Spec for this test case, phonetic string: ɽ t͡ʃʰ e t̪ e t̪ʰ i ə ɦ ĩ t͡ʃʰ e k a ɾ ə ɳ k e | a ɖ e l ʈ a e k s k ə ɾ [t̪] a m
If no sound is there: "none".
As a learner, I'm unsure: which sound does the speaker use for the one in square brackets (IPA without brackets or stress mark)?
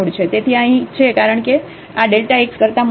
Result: t̪